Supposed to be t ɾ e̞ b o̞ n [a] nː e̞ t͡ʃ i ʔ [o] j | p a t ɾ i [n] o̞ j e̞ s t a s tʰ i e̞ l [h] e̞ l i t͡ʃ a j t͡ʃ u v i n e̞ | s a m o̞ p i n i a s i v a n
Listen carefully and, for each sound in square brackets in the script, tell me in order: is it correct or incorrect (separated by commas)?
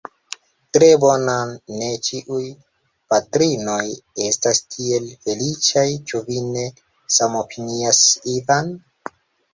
correct, incorrect, correct, incorrect